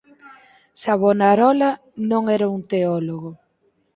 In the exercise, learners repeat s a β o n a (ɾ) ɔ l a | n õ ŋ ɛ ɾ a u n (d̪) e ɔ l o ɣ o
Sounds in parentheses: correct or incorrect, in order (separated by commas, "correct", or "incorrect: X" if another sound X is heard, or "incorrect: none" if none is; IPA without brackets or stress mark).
correct, incorrect: t̪